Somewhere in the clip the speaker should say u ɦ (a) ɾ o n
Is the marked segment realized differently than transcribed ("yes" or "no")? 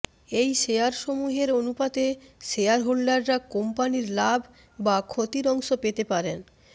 yes